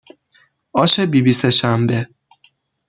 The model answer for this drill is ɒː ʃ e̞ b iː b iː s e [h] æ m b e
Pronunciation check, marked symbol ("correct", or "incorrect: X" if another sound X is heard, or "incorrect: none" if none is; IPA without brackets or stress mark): incorrect: ʃ